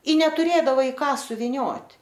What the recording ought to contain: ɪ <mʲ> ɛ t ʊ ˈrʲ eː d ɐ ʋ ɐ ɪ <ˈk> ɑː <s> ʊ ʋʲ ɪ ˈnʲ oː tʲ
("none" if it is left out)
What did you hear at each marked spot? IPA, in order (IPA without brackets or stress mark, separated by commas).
nʲ, k, s